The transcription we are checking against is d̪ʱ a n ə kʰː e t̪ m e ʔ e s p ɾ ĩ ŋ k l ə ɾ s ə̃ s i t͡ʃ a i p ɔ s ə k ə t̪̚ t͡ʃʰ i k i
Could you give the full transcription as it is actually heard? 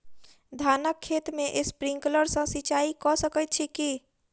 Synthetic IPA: d̪ʱ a n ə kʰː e t̪ m e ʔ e s p ɾ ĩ ŋ k l ə ɾ s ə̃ s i t͡ʃ a i k ɔ s ə k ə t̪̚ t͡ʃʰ i k i